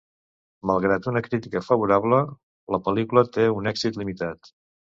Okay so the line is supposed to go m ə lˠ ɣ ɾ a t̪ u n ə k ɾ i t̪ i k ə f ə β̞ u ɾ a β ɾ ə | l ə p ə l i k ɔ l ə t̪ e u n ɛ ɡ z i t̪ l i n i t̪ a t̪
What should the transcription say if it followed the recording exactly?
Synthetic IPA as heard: m ə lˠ ɣ ɾ a t̪ u n ə k ɾ i t̪ i k ə f ə β̞ u ɾ a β l ə | l ə p ə l i k u l ə t̪ e u n ɛ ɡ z i t̪ l i m i t̪ a t̪